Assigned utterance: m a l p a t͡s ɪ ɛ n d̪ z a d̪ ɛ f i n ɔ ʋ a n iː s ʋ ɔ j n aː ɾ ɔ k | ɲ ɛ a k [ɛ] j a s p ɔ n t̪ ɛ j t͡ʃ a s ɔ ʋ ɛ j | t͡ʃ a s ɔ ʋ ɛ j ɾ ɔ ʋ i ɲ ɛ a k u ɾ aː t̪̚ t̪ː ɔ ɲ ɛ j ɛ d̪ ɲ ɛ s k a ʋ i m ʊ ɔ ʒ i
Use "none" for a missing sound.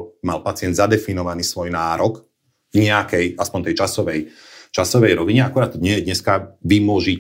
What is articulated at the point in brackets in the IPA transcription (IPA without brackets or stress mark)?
ɛ